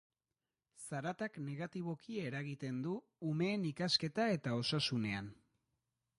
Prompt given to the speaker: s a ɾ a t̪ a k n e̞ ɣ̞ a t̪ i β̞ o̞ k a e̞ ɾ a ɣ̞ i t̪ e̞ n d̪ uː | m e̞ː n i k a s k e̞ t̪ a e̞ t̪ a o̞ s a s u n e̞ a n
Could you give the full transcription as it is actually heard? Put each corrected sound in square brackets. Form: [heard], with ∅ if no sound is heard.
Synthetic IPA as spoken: s a ɾ a t̪ a k n e̞ ɣ̞ a t̪ i β̞ o̞ k [i] e̞ ɾ a ɣ̞ i t̪ e̞ n d̪ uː | m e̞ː n i k a s k e̞ t̪ a e̞ t̪ a o̞ s a s u n e̞ a n